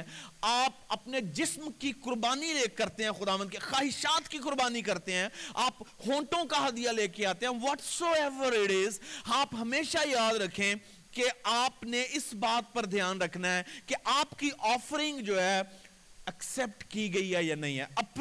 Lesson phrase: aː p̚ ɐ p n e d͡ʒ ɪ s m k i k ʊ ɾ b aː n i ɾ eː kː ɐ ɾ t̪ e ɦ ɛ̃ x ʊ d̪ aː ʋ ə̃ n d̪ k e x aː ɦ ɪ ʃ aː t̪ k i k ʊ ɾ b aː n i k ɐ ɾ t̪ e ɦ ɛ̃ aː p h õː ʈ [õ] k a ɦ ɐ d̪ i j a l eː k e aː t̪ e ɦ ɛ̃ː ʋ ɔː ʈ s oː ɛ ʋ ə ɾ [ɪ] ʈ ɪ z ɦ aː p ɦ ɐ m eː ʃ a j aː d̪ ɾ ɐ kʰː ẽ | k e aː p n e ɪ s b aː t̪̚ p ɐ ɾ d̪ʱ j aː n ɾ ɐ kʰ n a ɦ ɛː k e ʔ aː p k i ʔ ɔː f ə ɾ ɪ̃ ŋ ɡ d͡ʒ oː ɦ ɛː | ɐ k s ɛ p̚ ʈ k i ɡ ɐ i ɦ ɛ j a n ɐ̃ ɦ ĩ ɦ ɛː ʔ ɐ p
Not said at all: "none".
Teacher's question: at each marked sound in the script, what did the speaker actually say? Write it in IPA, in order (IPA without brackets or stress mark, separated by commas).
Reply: õ, ɪ